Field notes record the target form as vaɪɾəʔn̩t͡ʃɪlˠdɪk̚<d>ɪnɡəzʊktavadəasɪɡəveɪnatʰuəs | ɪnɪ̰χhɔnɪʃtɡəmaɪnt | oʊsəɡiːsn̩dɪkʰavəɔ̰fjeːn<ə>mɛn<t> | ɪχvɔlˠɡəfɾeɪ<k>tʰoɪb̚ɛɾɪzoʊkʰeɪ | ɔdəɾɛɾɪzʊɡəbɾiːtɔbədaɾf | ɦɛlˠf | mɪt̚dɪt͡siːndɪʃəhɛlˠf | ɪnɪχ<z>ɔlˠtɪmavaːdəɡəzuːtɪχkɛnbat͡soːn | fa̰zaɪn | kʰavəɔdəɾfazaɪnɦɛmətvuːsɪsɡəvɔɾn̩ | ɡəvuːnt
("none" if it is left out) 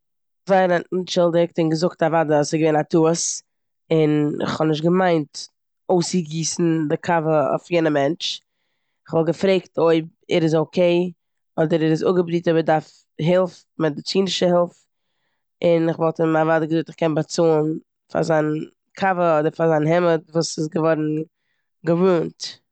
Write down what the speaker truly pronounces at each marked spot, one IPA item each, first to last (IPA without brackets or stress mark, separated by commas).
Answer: t, ə, t͡ʃ, k, v